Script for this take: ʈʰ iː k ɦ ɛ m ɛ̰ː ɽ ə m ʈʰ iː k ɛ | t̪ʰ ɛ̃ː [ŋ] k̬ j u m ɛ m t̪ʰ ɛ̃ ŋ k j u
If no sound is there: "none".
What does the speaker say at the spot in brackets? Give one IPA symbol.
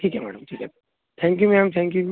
ŋ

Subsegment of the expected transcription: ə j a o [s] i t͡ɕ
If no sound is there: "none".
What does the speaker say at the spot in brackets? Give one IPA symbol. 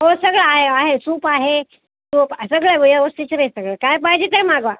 s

